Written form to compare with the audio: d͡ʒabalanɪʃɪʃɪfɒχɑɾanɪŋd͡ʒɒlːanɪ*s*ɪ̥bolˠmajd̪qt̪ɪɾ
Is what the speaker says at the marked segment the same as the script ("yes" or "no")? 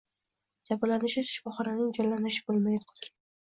no